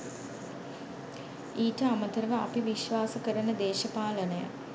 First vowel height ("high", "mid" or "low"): high